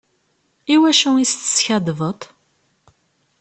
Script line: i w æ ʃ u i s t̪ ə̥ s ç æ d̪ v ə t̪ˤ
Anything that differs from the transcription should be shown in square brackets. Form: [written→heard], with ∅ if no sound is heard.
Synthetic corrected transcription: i w æ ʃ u i s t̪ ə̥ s ç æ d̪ v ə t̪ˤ